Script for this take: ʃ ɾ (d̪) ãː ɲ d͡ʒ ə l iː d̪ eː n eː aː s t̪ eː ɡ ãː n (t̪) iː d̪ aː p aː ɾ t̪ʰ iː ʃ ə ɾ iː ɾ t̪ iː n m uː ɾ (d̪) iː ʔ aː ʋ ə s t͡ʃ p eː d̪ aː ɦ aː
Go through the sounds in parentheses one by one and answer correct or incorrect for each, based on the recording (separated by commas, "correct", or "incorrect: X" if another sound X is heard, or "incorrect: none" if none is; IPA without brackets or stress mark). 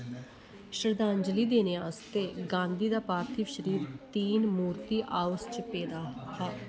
correct, incorrect: d̪, incorrect: t̪